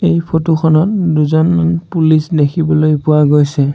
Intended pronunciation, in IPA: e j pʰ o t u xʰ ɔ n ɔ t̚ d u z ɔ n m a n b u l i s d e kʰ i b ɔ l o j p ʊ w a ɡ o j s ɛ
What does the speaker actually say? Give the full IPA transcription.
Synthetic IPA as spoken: e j pʰ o t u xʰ ɔ n ɔ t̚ d u z ɔ n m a n p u l i s d e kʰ i b ɔ l o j p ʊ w a ɡ o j s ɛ